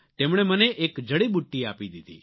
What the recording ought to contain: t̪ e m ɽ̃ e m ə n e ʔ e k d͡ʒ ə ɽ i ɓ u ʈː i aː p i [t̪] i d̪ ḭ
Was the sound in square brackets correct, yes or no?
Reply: no